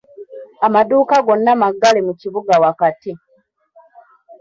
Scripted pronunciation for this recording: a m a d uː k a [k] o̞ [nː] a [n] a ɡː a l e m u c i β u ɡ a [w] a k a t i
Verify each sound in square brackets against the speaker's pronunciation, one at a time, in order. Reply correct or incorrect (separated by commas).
incorrect, correct, incorrect, correct